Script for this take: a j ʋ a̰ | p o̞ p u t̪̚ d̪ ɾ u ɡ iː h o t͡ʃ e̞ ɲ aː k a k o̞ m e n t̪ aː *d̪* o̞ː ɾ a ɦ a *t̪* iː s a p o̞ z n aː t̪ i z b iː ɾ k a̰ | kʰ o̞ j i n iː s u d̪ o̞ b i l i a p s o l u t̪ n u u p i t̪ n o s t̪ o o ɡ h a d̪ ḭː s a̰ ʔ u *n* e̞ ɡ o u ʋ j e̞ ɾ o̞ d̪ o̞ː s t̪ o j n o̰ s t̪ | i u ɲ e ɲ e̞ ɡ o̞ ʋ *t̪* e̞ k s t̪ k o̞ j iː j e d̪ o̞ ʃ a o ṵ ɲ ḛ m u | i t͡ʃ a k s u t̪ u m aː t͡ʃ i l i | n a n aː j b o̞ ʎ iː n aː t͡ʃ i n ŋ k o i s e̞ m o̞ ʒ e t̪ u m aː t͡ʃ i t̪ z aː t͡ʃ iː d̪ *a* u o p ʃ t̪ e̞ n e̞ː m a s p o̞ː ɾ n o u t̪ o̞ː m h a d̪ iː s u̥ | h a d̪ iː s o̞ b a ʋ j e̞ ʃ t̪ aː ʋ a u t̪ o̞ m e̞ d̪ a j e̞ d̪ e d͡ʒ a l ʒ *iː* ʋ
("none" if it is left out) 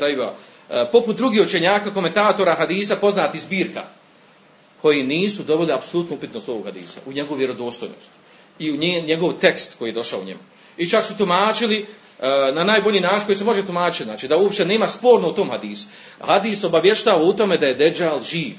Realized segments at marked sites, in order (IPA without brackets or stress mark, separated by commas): t̪, d̪, ɲ, t̪, a, iː